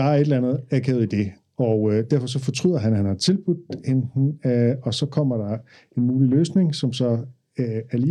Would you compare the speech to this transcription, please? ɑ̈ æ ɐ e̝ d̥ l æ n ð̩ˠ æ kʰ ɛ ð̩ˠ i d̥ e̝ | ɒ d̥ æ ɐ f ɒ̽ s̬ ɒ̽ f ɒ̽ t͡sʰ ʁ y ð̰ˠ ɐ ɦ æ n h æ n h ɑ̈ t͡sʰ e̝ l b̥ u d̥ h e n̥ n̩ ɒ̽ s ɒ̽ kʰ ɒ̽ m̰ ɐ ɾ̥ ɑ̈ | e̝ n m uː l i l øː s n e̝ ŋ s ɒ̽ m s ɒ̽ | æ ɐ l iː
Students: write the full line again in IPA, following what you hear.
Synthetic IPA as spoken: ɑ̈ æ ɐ e̝ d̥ l æ n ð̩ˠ æ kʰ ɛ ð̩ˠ i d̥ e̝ | ɒ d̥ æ ɐ f ɒ̽ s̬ ɒ̽ f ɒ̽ t͡sʰ ʁ y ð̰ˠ ɐ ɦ æ n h æ n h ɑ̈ t͡sʰ e̝ l b̥ u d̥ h e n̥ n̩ ɒ̽ s ɒ̽ kʰ ɒ̽ m̰ ɐ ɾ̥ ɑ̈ | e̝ n m uː l i l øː s n e̝ ŋ s ɒ̽ m s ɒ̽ | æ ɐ l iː